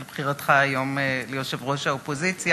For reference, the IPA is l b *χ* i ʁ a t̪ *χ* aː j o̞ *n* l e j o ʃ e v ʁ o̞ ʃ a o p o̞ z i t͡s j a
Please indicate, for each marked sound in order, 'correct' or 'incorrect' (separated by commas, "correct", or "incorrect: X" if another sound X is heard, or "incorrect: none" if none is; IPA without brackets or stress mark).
correct, correct, incorrect: m